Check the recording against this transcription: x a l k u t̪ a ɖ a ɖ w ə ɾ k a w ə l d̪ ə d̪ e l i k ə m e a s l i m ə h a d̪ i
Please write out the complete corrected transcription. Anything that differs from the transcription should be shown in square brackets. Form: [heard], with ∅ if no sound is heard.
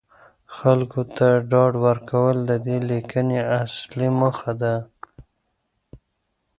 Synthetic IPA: x a l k [o] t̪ a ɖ [ɑ] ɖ w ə ɾ k a w ə l d̪ ə d̪ e l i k ə [n] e a s l i m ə [x] a d̪ [a]